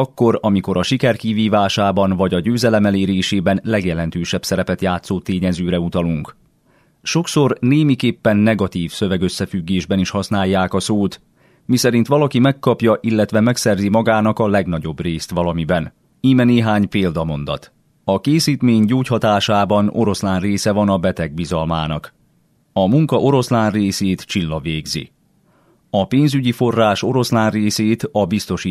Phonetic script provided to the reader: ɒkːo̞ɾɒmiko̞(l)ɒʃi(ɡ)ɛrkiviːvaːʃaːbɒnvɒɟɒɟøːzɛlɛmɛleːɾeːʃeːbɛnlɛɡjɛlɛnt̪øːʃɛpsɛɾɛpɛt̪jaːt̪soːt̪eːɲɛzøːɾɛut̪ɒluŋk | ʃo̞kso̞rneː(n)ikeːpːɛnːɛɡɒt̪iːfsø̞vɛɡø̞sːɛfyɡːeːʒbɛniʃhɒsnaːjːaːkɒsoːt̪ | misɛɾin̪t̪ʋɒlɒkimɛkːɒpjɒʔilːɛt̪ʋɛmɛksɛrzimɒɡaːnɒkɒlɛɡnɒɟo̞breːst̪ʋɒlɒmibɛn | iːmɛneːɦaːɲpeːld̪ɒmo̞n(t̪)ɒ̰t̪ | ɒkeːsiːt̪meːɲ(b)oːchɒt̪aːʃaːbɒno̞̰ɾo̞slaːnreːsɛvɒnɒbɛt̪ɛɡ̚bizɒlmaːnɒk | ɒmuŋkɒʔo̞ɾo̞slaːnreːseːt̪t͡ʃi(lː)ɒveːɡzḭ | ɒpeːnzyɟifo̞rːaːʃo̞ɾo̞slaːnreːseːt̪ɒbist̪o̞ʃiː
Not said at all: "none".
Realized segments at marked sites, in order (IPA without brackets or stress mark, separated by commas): ɾ, k, m, d̪, ɟ, lː